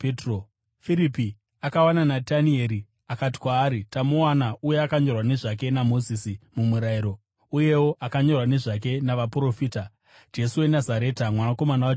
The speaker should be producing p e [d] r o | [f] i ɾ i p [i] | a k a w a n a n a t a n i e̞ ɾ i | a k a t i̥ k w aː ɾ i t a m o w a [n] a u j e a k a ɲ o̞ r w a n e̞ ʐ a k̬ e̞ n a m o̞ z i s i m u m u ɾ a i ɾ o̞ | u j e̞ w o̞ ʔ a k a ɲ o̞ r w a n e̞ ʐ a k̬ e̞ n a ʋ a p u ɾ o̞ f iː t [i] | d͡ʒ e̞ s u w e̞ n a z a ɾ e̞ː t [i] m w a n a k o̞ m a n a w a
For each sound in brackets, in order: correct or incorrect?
incorrect: t, correct, correct, correct, incorrect: a, incorrect: a

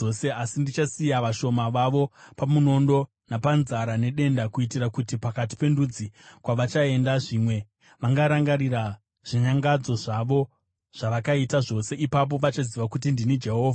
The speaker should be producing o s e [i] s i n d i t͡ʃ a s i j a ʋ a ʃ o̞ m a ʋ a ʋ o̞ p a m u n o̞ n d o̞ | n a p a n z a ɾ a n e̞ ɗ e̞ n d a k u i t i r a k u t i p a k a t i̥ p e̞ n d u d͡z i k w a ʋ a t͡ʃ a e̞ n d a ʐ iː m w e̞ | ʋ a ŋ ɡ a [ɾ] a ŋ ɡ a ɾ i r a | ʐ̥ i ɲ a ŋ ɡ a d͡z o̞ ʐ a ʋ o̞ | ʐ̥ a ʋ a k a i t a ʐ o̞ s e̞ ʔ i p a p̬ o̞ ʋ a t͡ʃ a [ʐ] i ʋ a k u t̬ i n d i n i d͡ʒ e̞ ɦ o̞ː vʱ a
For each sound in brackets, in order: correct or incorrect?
incorrect: a, correct, incorrect: z

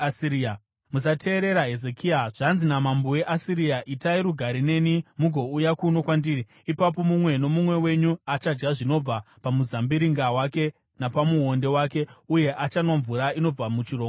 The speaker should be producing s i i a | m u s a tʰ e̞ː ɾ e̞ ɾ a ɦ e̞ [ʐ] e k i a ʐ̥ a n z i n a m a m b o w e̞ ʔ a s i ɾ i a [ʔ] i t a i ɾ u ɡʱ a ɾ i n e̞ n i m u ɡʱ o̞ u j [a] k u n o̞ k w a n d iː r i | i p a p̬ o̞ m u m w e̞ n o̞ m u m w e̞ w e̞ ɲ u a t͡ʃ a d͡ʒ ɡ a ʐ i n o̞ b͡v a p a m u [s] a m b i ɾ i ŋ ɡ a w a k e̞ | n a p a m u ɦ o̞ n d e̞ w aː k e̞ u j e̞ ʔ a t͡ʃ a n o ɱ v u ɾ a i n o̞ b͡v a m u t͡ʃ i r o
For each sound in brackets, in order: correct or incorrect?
incorrect: z, correct, correct, incorrect: z

